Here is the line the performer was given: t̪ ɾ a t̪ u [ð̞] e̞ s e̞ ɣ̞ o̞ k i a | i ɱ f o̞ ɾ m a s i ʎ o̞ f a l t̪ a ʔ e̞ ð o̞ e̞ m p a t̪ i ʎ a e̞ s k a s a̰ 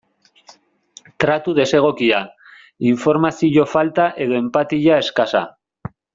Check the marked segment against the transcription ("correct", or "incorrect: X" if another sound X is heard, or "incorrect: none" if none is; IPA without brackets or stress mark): correct